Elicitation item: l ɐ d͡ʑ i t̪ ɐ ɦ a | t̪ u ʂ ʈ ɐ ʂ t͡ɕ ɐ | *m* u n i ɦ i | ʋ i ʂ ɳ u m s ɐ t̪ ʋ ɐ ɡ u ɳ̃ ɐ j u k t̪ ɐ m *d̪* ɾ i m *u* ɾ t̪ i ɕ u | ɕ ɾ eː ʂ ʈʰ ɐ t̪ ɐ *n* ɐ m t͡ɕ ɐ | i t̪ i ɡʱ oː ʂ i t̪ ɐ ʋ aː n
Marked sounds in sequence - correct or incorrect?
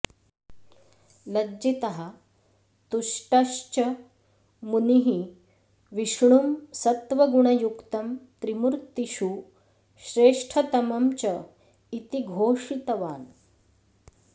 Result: correct, incorrect, correct, incorrect

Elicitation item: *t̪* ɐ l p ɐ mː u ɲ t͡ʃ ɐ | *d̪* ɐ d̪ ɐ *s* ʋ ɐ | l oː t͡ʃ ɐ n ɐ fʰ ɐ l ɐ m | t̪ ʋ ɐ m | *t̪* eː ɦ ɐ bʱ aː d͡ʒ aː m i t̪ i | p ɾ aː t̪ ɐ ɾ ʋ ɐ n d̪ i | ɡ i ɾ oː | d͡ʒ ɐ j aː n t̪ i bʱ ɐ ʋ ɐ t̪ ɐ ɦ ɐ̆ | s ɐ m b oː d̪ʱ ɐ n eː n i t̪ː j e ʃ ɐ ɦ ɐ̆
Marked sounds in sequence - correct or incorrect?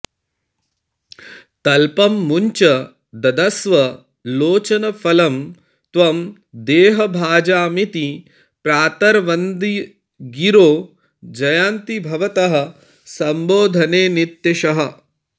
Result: correct, correct, correct, incorrect

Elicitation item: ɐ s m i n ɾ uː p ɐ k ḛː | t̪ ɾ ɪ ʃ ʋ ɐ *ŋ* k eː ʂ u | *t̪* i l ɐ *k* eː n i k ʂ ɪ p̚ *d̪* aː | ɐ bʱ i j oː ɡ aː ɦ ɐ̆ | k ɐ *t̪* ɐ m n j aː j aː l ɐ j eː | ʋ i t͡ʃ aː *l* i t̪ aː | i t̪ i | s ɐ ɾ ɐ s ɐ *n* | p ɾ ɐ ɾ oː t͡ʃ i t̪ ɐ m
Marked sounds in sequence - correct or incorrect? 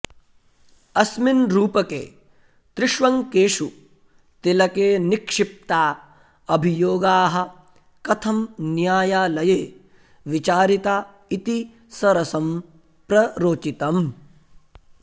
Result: correct, correct, correct, incorrect, incorrect, incorrect, incorrect

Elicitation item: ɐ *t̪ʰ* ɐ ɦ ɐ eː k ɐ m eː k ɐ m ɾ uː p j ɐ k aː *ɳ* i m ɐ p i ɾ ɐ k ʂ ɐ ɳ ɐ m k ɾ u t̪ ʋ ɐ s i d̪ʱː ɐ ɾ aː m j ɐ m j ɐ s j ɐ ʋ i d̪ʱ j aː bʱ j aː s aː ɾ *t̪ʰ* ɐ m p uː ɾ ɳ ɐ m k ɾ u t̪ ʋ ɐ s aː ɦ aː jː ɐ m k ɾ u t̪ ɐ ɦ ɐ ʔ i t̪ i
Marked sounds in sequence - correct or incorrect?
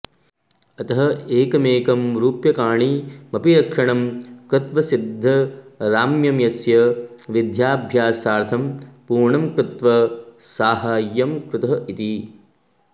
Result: incorrect, correct, correct

